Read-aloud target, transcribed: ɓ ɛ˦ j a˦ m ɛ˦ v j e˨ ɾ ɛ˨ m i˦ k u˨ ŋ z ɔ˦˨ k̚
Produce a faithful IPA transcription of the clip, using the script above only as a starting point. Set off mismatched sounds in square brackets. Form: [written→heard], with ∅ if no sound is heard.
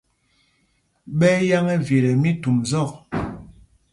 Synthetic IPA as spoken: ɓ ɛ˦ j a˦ [m→ŋ] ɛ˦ v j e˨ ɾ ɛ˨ m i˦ [k→t] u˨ [ŋ→m] z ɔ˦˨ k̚